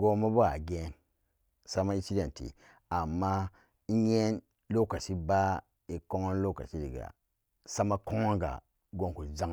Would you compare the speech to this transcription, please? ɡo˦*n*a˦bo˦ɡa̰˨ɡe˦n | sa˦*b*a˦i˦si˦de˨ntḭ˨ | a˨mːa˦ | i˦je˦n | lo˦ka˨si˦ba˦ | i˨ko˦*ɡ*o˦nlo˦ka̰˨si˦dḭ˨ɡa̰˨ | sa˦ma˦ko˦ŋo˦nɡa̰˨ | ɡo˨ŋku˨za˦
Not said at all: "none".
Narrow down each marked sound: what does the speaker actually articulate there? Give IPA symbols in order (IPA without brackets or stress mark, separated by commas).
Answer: m, m, ŋ